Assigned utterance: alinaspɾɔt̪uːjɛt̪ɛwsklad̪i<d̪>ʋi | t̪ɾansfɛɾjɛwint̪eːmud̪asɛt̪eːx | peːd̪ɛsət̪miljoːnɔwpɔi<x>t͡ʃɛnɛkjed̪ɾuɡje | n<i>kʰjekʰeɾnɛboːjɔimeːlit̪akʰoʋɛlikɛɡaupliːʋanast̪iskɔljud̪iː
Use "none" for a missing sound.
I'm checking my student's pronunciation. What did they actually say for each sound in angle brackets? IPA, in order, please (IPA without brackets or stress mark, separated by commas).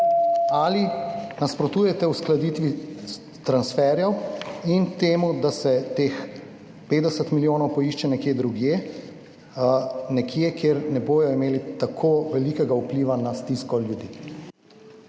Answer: t̪, ʃ, ɛ